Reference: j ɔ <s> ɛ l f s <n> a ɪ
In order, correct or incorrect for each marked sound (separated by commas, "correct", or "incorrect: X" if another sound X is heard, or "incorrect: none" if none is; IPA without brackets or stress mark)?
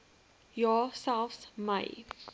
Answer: correct, incorrect: m